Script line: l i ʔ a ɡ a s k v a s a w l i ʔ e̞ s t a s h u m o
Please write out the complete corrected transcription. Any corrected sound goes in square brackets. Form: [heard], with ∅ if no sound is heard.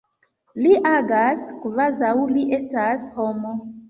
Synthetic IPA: l i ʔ a ɡ a s k v a [z] a w l i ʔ e̞ s t a s h [o] m o

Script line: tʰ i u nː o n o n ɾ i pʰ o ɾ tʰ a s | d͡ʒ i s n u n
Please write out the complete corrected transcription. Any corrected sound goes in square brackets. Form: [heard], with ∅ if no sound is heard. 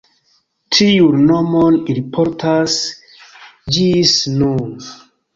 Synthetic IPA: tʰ i u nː o [m] o n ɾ i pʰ o ɾ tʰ a s | d͡ʒ i s n u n

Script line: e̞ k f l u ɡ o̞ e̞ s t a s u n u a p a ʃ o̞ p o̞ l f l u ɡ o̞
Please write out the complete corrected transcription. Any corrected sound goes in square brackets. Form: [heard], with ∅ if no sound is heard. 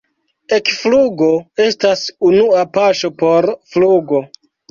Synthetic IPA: e̞ k f l u ɡ o̞ e̞ s t a s u n u a p a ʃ o̞ p o̞ [ɾ] f l u ɡ o̞

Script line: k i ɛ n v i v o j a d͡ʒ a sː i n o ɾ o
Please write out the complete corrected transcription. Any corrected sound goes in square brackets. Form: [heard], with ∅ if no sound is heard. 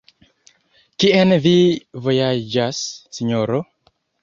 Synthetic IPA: k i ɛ n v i v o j a d͡ʒ a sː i [ɲ] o ɾ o

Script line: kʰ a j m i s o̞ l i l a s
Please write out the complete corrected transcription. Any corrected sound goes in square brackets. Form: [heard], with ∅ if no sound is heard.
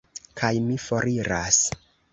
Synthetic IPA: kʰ a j m i [f] o̞ [ɾ] i [ɾ] a s

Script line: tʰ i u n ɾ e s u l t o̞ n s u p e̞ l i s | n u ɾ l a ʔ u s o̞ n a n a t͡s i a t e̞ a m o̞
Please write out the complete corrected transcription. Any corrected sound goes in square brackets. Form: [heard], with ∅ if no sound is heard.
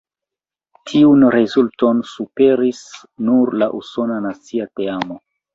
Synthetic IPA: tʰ i u n ɾ e [z] u l t o̞ n s u p e̞ [ɾ] i s | n u ɾ l a ʔ u s o̞ n a n a t͡s i a t e̞ a m o̞

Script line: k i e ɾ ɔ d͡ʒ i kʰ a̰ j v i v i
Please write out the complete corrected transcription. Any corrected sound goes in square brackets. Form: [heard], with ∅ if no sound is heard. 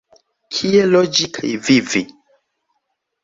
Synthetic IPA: [kʰ] i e [l] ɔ d͡ʒ i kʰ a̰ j v i v i

